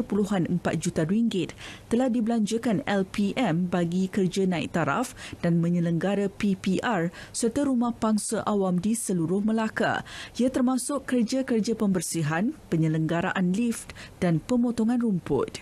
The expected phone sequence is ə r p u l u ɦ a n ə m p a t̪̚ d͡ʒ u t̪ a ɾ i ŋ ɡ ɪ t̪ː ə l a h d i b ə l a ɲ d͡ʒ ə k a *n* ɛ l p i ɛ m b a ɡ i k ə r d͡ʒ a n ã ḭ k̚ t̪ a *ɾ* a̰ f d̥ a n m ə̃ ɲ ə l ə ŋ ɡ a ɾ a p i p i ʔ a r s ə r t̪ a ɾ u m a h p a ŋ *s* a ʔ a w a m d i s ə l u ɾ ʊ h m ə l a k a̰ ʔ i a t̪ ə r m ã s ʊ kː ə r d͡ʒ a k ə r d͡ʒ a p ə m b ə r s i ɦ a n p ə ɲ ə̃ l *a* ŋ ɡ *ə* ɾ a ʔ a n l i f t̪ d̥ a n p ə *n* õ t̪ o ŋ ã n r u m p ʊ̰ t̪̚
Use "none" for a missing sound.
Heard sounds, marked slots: n, ɾ, s, ə, a, m

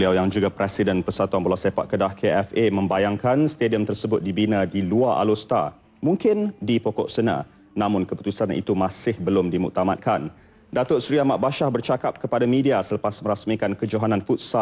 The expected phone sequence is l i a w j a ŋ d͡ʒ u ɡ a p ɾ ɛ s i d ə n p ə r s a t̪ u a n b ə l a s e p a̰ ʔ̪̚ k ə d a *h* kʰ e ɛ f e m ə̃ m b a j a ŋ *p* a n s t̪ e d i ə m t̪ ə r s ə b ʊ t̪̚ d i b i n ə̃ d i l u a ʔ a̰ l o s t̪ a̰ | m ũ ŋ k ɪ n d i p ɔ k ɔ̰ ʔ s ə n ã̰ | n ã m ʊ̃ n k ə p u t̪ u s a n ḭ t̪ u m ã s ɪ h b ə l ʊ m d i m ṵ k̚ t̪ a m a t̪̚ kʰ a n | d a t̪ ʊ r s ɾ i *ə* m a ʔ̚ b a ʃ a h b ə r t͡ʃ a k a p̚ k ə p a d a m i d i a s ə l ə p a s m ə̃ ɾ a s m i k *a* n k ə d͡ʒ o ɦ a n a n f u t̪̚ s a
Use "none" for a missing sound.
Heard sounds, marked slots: h, k, a, a

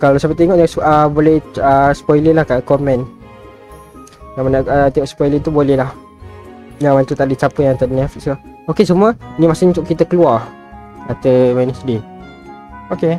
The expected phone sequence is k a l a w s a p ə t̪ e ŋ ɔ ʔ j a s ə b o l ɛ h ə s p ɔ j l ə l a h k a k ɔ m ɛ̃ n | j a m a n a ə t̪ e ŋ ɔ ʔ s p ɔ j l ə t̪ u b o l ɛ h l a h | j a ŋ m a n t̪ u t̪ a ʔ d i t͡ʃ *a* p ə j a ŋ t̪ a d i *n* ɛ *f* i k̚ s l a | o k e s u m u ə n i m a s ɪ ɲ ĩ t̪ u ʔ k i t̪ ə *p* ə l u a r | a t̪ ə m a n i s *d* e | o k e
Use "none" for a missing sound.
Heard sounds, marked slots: a, n, f, k, d

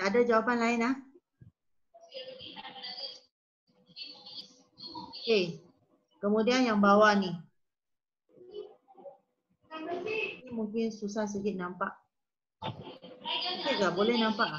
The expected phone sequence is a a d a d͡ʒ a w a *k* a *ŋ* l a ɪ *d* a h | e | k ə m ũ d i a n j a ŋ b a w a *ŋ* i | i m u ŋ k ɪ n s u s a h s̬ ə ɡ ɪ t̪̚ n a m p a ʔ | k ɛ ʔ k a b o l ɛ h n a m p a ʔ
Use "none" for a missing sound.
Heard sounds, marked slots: p, n, n, n

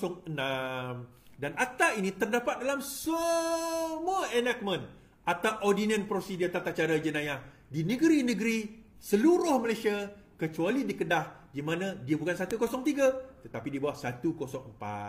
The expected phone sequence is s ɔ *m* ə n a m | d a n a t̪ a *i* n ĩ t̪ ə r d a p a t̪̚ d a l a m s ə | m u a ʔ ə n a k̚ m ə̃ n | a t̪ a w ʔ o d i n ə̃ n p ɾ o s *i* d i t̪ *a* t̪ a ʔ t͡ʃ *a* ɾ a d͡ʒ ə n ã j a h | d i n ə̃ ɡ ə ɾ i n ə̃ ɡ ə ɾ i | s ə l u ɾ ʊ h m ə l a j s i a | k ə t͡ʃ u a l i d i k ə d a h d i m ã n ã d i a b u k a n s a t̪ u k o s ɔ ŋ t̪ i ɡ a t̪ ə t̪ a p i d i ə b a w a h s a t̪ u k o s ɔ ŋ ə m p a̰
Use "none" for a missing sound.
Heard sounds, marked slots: ŋ, i, i, a, a

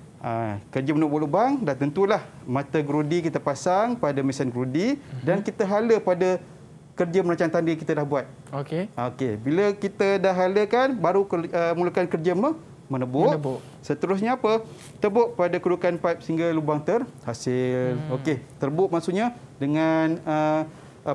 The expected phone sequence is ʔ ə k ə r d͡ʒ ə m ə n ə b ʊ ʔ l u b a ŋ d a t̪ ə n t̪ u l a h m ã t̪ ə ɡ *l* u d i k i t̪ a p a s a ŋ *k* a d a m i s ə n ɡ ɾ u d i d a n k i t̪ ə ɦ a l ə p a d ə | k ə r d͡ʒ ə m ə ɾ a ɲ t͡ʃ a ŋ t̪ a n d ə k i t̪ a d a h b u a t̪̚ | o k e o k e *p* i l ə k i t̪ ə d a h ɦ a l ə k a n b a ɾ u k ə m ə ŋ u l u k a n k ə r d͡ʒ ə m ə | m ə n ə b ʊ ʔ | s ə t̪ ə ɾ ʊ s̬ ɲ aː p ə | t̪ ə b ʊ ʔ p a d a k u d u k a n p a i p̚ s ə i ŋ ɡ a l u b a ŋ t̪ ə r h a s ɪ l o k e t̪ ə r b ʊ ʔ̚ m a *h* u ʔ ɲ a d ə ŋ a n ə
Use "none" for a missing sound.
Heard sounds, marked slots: ɾ, p, b, s

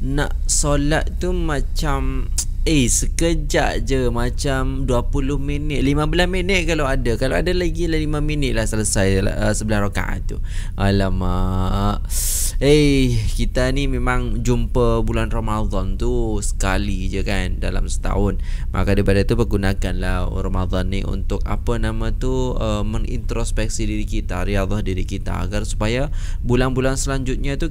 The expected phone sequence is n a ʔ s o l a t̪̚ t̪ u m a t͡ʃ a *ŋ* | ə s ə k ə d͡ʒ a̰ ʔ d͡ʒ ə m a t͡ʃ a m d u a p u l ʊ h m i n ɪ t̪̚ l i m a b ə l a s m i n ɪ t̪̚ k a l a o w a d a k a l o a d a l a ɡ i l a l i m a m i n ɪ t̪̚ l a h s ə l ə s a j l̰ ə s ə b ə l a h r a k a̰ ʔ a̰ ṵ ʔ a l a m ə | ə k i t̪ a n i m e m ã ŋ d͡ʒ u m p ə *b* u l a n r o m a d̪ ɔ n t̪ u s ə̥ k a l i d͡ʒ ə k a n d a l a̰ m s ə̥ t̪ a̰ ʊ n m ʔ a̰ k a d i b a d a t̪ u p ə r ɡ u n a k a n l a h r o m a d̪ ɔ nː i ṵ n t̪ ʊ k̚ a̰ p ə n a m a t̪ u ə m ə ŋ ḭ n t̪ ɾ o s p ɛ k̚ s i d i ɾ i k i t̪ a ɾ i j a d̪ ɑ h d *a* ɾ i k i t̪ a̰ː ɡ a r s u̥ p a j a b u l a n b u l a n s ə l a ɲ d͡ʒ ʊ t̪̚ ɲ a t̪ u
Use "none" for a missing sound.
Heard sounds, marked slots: m, b, i

